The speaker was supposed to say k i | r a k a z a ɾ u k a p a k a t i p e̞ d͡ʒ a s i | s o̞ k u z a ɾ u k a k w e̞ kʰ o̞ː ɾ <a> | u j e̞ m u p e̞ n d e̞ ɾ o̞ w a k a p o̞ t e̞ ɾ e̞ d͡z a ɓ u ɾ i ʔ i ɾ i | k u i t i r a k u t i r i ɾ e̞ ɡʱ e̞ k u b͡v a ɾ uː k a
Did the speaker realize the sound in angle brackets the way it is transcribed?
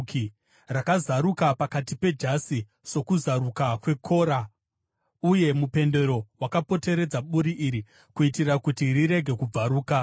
yes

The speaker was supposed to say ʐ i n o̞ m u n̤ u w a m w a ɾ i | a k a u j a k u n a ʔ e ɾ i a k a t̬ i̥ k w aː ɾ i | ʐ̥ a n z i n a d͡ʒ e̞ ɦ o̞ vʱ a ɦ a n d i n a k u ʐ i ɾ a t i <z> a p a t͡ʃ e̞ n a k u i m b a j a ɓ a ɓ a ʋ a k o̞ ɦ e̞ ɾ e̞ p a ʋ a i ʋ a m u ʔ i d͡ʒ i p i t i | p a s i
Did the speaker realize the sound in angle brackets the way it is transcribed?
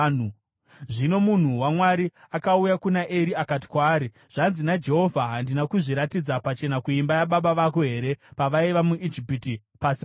no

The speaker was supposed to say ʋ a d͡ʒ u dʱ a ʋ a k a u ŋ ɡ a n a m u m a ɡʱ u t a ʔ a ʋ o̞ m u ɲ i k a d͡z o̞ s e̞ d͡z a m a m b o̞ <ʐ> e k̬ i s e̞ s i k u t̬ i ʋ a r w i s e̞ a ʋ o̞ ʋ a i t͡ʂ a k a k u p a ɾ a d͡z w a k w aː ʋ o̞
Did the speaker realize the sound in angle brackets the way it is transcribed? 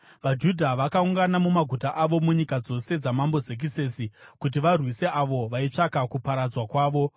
no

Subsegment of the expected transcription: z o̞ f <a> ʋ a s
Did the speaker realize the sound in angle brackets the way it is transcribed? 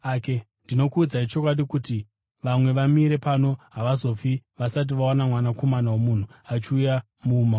no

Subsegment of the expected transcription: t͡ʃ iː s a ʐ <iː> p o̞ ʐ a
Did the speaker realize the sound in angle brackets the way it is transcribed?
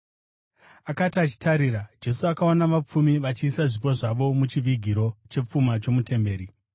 no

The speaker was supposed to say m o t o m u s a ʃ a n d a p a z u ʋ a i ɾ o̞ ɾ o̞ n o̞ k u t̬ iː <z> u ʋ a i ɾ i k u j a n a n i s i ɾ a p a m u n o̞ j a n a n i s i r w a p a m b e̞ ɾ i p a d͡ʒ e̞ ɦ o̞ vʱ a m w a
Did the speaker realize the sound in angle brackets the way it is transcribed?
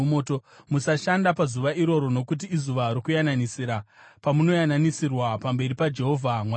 yes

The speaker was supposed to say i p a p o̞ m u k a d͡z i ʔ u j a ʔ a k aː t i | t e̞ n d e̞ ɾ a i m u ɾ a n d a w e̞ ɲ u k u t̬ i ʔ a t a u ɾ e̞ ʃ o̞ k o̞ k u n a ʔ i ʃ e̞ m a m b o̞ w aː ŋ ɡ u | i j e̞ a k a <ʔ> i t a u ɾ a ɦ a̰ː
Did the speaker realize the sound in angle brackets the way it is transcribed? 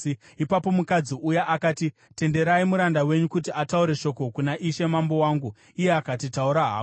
no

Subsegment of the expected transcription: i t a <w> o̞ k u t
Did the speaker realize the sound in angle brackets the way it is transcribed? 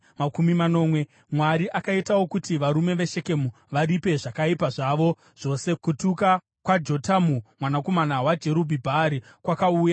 yes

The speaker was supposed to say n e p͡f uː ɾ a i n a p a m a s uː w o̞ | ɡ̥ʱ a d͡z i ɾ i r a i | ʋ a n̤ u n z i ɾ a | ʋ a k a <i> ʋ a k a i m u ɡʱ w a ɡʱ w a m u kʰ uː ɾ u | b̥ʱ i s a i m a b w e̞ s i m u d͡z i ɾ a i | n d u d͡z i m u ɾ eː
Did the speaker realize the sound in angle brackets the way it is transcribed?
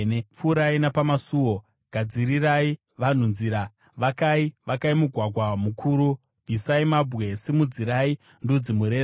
yes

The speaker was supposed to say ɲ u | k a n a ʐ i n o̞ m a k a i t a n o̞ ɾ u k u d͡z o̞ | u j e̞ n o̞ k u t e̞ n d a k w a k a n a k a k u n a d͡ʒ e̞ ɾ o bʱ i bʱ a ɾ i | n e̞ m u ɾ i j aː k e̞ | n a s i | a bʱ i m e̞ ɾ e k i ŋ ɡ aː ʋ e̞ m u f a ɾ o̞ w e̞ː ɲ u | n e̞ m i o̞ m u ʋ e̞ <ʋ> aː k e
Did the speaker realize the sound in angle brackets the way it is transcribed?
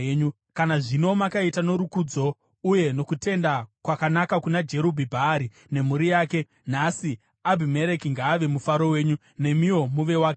no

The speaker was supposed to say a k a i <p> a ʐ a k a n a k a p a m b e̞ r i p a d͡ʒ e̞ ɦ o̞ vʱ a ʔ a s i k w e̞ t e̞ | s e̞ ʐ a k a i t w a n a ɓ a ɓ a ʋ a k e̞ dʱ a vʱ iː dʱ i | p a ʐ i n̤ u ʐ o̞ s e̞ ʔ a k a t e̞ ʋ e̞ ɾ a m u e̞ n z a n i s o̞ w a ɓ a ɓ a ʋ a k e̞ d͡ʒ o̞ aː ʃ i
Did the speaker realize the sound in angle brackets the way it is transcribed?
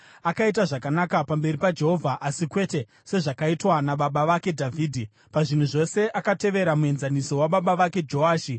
no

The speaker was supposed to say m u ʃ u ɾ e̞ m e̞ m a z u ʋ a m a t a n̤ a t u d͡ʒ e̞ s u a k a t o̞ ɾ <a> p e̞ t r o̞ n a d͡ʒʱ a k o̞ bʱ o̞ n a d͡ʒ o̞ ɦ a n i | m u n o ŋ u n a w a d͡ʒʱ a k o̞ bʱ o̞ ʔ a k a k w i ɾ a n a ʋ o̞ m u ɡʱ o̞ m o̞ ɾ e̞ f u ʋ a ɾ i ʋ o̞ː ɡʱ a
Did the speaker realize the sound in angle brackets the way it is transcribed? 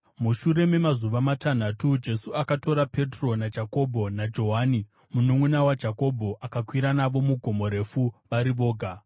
yes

